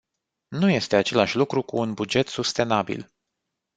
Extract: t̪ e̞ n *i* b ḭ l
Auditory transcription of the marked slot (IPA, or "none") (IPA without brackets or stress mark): a